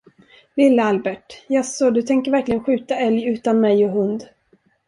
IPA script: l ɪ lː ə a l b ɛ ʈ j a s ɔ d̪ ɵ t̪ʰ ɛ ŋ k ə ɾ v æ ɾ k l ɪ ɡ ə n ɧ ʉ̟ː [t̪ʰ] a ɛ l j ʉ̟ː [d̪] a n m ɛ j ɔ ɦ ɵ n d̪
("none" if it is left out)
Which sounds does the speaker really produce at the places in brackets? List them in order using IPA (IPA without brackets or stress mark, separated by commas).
t̪, t̪